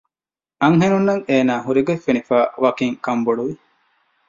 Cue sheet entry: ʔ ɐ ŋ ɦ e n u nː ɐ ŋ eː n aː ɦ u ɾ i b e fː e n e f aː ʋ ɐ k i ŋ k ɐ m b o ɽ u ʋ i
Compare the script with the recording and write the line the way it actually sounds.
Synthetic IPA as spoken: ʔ ɐ ŋ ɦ e n u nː ɐ ŋ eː n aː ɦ u ɾ i ɡ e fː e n i f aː ʋ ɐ k i ŋ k ɐ m b o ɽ u ʋ i